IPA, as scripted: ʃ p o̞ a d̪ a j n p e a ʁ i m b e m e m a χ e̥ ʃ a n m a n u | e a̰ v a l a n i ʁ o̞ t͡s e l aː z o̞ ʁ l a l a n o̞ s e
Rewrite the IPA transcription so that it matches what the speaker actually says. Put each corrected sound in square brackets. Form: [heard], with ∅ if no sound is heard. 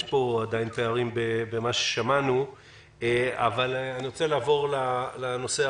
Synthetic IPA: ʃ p o̞ a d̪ a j n p e a ʁ i m b e [b] e m a [ʃ] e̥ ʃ a [∅] m a n u | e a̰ v a l a n i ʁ o̞ t͡s e l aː [v] o̞ ʁ l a l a n o̞ s e